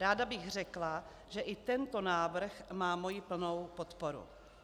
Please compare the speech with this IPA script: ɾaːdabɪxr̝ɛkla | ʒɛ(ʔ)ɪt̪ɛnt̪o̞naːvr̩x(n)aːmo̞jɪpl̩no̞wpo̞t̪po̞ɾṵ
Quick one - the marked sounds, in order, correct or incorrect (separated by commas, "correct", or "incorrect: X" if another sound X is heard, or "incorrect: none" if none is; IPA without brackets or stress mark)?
correct, incorrect: m